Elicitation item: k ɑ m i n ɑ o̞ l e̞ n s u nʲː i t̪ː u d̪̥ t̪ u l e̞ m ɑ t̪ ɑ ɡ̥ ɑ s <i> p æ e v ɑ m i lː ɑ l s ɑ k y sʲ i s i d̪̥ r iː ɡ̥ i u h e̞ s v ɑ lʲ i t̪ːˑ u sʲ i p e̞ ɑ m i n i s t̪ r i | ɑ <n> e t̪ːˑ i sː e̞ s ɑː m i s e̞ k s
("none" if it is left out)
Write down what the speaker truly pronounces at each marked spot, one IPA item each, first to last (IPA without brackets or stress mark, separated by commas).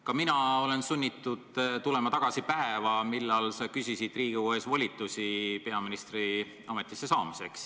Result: i, m